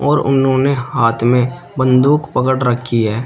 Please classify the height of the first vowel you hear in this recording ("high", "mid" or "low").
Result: mid